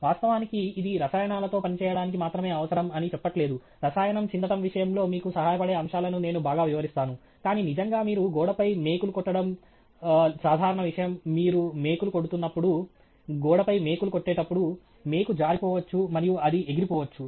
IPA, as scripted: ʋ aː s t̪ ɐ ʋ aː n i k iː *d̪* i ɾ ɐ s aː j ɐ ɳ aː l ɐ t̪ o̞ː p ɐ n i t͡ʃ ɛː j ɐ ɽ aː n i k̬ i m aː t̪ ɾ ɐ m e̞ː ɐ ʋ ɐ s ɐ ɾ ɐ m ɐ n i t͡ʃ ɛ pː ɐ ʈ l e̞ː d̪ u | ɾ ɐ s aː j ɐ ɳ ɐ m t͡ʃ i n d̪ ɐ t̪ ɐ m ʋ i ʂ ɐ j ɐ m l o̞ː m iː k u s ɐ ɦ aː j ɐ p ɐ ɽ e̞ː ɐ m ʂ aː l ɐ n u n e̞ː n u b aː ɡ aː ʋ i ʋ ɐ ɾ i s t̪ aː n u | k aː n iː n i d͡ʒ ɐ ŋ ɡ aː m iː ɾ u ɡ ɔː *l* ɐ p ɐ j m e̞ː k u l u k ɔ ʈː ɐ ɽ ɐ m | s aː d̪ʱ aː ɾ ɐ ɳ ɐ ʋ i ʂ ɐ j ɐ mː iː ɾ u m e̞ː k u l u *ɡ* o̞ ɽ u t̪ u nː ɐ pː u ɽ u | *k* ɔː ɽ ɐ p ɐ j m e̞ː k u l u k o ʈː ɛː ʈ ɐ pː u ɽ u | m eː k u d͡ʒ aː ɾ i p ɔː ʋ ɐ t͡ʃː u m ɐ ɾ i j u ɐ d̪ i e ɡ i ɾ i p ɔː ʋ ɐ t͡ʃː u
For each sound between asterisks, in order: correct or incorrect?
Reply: correct, incorrect, incorrect, incorrect

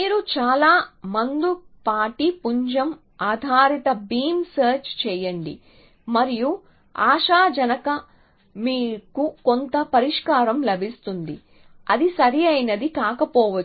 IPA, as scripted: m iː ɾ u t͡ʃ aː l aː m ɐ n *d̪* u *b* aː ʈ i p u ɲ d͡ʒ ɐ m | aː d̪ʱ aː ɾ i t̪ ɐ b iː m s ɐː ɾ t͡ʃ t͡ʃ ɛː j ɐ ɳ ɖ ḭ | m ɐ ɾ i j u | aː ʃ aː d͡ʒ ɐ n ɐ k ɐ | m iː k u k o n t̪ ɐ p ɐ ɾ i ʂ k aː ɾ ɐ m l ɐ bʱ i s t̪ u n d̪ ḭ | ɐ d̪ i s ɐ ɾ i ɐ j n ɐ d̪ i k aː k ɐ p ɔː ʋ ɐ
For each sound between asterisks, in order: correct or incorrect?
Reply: correct, incorrect

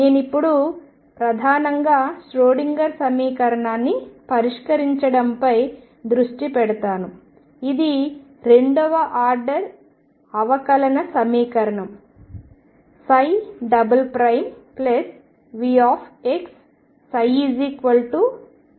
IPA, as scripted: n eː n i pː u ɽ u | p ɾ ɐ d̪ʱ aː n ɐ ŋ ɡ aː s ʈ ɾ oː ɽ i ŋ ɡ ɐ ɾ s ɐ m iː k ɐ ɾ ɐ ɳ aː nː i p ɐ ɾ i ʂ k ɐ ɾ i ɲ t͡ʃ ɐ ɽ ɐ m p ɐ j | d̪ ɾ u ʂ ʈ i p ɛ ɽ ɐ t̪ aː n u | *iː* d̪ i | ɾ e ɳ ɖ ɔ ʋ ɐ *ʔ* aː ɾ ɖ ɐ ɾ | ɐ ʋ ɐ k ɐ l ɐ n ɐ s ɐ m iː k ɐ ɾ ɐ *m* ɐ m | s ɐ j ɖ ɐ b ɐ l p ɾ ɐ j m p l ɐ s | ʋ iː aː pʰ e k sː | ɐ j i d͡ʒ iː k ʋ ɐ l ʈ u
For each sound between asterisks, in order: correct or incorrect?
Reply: incorrect, correct, incorrect

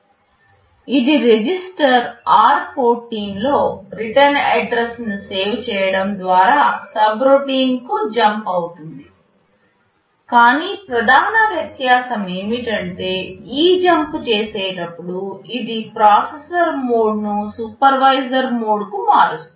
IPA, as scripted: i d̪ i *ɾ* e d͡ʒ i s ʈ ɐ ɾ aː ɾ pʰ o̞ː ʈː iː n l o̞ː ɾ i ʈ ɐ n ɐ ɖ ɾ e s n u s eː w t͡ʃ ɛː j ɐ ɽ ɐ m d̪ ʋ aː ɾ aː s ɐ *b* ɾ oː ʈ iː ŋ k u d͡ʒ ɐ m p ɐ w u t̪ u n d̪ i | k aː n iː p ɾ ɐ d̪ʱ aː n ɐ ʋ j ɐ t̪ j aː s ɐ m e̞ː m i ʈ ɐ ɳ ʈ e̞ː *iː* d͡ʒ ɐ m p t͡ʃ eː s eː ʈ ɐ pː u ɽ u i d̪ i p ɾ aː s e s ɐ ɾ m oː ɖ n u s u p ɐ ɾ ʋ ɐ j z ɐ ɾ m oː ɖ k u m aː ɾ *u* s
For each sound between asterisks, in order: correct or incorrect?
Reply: correct, correct, correct, correct

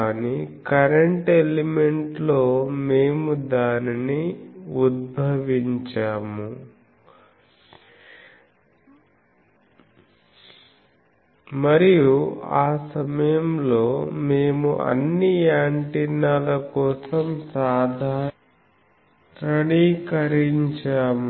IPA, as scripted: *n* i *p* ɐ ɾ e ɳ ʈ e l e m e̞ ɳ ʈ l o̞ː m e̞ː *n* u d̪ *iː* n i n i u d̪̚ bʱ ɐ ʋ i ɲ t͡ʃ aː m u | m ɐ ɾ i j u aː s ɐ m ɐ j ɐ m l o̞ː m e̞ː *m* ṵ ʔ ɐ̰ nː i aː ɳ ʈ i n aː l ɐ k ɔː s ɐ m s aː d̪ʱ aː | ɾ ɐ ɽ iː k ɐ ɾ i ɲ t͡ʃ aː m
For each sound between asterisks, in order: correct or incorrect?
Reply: correct, incorrect, incorrect, incorrect, correct

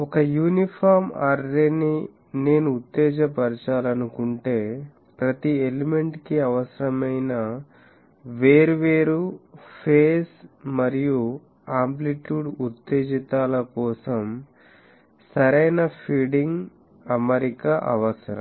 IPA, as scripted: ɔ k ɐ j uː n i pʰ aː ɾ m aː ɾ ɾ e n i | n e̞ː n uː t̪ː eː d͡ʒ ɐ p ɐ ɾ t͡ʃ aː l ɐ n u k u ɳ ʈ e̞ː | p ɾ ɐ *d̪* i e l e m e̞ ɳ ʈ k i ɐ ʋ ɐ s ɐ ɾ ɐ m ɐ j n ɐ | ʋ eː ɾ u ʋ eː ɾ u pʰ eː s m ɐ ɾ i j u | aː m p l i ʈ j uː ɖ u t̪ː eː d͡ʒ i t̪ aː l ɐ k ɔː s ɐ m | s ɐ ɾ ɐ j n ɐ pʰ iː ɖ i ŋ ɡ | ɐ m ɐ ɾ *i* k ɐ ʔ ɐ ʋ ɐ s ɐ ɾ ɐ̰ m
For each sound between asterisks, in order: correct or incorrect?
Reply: incorrect, correct

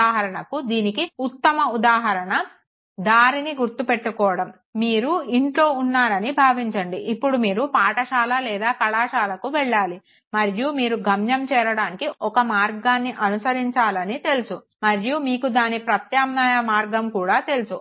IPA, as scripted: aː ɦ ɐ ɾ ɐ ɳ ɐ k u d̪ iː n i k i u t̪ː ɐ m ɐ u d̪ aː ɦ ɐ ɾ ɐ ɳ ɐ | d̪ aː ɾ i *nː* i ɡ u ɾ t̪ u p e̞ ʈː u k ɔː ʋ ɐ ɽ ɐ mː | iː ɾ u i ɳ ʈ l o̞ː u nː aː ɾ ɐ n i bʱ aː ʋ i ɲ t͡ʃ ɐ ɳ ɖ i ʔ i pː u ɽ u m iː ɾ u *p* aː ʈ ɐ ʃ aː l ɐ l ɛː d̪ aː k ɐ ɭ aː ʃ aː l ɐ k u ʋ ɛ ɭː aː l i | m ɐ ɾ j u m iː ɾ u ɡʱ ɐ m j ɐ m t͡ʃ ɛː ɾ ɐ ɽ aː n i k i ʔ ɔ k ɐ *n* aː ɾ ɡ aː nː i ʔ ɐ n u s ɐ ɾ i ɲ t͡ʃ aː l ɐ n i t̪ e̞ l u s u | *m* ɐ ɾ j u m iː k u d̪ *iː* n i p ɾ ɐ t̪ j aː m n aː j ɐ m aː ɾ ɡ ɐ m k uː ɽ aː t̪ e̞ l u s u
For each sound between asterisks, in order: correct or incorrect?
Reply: incorrect, correct, incorrect, correct, incorrect

